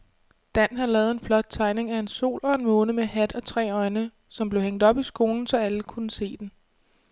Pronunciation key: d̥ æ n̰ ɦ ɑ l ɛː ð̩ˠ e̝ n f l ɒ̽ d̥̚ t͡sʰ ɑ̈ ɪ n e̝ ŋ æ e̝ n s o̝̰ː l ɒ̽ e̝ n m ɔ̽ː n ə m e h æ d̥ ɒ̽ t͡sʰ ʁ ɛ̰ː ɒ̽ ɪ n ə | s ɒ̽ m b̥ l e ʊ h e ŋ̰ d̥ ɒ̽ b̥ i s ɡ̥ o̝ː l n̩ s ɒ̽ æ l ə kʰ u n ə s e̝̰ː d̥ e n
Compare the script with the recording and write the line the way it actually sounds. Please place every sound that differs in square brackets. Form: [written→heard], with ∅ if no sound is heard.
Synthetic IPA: d̥ æ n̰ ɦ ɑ l ɛː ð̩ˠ e̝ n f l ɒ̽ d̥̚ t͡sʰ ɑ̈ ɪ n e̝ ŋ æ e̝ n s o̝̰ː l ɒ̽ e̝ n m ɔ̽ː n ə m e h æ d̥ ɒ̽ t͡sʰ ʁ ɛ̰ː ɒ̽ ɪ n ə | s ɒ̽ m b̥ l e ʊ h e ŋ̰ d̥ ɒ̽ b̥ i s ɡ̥ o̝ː l n̩ s ɒ̽ æ l ə kʰ u n ə s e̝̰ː d̥ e n

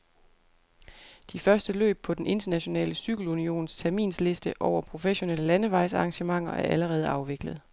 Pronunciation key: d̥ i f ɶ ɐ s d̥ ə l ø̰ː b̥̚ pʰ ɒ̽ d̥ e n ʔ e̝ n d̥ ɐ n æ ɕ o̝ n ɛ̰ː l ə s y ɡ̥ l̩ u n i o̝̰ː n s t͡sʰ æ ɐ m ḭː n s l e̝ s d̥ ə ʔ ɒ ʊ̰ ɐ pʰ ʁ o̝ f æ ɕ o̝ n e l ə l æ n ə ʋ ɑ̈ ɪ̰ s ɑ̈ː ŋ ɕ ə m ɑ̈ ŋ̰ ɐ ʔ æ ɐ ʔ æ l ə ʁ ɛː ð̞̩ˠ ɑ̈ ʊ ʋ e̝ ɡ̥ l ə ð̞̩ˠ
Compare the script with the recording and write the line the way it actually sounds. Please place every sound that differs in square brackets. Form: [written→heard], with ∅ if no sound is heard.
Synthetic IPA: d̥ i f ɶ ɐ s d̥ ə l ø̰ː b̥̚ pʰ ɒ̽ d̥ e n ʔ e̝ n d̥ ɐ n æ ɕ o̝ n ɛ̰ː l ə s y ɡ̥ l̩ u n i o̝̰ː n s t͡sʰ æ ɐ m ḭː n s l e̝ s d̥ ə ʔ ɒ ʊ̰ ɐ pʰ ʁ o̝ f [æ→e] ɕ o̝ n e l ə l æ n ə ʋ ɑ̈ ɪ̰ s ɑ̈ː ŋ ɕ ə m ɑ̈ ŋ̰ ɐ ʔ æ ɐ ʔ æ l ə ʁ ɛː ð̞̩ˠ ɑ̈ ʊ ʋ e̝ ɡ̥ l ə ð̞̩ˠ

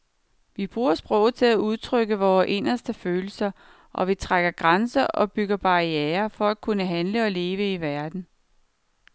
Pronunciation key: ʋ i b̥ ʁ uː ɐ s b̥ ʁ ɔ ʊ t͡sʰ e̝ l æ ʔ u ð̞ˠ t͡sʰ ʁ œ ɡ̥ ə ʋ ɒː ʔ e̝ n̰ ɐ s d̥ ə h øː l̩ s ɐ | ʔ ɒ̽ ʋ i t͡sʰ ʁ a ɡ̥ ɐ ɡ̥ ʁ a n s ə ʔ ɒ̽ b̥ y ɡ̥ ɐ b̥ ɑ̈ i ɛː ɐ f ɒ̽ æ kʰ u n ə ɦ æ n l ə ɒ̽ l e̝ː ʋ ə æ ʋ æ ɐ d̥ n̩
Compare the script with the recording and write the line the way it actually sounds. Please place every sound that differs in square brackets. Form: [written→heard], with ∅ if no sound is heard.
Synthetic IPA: ʋ i b̥ ʁ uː ɐ s b̥ ʁ ɔ ʊ t͡sʰ e̝ l æ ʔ u ð̞ˠ t͡sʰ ʁ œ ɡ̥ ə ʋ ɒː ʔ e̝ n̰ ɐ s d̥ ə [h→f] øː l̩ s ɐ | ʔ ɒ̽ ʋ i t͡sʰ ʁ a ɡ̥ ɐ ɡ̥ ʁ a n s [ə→ɐ] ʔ ɒ̽ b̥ y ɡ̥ ɐ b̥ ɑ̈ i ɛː ɐ f ɒ̽ æ kʰ u n ə ɦ æ n l ə ɒ̽ l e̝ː ʋ ə [æ→i] ʋ æ ɐ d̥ n̩

